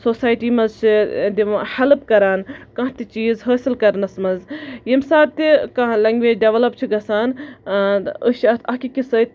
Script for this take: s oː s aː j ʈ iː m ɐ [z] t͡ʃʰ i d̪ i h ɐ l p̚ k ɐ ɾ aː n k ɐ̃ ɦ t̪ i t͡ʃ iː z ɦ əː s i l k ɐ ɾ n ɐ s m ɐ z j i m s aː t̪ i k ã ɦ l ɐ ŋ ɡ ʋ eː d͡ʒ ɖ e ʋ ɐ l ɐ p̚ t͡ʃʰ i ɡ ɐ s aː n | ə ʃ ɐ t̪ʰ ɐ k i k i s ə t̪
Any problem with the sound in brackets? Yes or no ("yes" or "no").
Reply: no